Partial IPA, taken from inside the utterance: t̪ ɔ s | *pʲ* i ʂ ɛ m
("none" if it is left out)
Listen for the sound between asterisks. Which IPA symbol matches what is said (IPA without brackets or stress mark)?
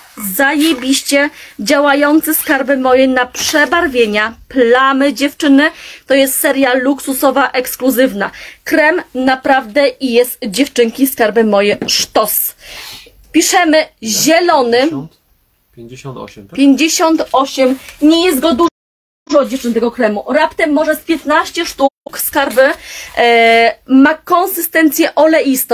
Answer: pʲ